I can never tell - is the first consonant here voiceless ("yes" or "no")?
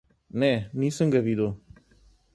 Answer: no